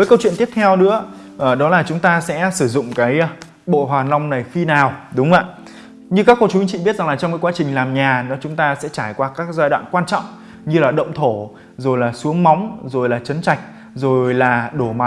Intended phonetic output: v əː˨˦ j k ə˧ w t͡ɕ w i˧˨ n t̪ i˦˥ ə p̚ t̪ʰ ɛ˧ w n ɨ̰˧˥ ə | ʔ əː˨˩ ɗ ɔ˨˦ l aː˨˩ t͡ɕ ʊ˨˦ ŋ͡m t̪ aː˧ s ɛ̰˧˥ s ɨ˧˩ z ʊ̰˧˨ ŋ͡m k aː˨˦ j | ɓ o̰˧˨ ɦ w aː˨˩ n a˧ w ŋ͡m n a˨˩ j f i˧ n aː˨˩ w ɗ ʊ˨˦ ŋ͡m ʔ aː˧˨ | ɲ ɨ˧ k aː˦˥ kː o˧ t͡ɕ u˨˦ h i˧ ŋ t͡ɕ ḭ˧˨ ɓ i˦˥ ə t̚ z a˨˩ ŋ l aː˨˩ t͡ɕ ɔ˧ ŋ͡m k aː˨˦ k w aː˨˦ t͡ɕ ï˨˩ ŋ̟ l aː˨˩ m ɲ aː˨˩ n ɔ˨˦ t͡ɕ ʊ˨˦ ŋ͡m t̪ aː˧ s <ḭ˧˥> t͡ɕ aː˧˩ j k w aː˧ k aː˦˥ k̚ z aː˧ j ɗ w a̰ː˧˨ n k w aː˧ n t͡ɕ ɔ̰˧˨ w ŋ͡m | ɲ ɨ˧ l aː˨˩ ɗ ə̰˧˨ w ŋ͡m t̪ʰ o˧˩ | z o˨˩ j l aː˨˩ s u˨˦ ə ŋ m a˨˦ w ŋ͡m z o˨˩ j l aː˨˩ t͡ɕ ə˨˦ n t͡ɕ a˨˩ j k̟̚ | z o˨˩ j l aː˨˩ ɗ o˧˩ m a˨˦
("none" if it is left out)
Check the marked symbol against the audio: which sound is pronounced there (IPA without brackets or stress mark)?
ɛ̰˧˥